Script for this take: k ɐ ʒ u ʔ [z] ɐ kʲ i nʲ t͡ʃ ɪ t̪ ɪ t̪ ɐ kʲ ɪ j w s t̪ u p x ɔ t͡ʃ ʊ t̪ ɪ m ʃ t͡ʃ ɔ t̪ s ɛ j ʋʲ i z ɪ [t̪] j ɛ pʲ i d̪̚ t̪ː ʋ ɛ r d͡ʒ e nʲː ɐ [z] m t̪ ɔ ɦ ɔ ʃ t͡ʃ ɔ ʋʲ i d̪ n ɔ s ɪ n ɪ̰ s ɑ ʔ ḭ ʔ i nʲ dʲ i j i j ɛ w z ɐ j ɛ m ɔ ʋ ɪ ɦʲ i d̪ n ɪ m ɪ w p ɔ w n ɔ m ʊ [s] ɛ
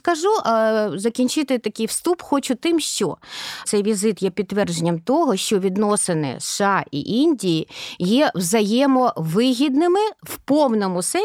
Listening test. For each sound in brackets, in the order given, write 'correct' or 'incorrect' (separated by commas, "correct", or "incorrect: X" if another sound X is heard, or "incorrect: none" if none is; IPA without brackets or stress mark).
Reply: correct, correct, incorrect: none, correct